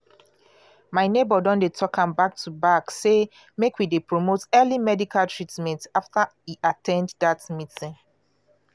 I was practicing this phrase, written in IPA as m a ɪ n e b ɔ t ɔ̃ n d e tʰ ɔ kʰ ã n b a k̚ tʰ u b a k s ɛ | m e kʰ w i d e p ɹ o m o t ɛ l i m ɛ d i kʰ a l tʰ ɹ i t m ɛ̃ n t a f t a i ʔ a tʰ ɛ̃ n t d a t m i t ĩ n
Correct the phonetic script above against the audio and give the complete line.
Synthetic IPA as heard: m a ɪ n e b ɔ d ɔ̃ n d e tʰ ɔ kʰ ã m b a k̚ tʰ u b a k s e | m e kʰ w i d e p ɹ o m o t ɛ l i m ɛ d i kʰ a l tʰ ɹ i t m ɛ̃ n t a f t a i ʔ a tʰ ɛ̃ n d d a t m i t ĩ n